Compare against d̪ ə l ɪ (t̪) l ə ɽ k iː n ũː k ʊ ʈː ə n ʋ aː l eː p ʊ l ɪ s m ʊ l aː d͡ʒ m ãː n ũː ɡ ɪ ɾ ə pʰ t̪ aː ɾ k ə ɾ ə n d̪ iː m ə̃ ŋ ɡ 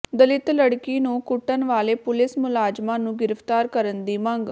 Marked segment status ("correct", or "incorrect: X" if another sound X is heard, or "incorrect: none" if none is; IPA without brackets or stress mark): correct